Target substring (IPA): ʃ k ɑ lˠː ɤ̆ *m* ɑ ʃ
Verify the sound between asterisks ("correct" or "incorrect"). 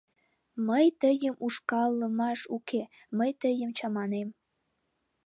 correct